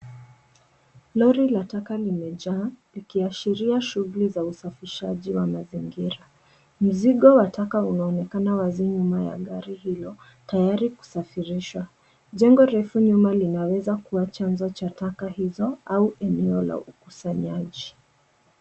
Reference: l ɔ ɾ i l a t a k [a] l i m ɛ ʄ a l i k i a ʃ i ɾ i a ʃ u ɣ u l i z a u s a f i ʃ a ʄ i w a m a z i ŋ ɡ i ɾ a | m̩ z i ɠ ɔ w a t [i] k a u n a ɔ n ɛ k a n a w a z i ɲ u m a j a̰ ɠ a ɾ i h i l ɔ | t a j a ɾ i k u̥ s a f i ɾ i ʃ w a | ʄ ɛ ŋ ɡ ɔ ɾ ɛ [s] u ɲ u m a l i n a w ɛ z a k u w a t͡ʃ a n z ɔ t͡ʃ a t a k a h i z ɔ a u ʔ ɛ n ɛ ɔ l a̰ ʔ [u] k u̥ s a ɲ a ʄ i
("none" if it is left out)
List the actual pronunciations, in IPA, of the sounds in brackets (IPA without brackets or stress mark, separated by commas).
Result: a, a, f, u